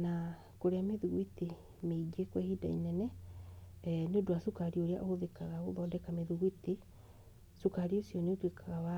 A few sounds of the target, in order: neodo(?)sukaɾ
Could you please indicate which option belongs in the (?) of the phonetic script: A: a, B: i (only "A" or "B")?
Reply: A